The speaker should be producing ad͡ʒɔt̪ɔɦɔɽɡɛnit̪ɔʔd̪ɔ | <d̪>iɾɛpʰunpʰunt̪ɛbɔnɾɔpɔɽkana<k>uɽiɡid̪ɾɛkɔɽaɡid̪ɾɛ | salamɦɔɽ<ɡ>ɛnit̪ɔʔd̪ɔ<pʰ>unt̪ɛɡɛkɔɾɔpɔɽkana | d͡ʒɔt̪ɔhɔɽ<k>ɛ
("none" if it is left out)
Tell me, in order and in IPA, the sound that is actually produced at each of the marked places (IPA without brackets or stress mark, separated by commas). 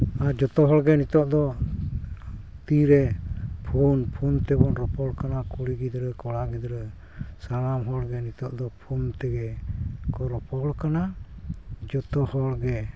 t̪, k, ɡ, pʰ, ɡ